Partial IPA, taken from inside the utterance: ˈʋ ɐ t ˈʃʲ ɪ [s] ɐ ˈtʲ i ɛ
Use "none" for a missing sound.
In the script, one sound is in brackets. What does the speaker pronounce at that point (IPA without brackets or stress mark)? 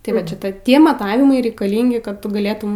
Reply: t